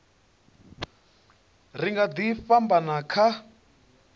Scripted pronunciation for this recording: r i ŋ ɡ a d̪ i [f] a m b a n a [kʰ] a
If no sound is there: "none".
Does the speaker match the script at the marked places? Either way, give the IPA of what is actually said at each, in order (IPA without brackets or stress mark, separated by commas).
f, kʰ